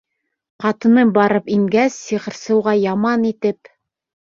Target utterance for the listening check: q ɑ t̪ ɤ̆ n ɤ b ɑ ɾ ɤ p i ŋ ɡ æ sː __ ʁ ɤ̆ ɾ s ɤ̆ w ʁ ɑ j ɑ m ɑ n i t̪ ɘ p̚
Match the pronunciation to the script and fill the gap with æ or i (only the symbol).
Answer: i